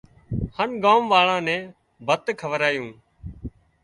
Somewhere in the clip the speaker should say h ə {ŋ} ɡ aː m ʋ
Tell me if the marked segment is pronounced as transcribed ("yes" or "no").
no